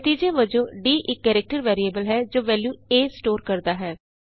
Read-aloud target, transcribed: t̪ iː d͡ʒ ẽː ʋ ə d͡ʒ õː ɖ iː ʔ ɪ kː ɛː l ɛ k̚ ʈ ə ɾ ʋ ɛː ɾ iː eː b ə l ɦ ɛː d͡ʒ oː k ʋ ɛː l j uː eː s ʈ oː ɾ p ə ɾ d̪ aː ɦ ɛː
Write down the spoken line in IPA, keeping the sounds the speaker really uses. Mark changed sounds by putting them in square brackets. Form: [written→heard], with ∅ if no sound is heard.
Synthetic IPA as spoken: t̪ iː d͡ʒ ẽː ʋ ə d͡ʒ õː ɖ iː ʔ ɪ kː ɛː [l→ɾ] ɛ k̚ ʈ ə ɾ ʋ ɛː ɾ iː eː b ə l ɦ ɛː d͡ʒ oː [k→∅] ʋ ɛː l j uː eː s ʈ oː ɾ [p→k] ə ɾ d̪ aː ɦ ɛː